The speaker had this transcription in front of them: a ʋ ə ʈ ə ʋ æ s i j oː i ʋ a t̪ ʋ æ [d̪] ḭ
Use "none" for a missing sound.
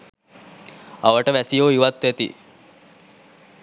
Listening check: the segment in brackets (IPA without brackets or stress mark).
t̪